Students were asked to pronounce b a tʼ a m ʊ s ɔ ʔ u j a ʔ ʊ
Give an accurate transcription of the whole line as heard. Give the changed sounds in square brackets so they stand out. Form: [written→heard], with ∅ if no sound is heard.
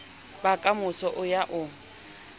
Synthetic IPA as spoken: b a [tʼ→kʼ] a m ʊ s ɔ ʔ [u→ʊ] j a ʔ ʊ